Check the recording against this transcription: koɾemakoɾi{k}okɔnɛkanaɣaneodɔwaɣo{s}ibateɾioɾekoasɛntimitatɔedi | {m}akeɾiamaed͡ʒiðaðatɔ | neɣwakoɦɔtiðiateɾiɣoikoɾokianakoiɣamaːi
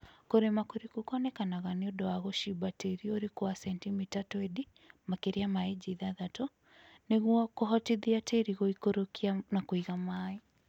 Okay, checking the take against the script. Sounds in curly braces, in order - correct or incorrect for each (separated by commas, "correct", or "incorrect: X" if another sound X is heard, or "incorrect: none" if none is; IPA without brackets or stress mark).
correct, incorrect: ʃ, correct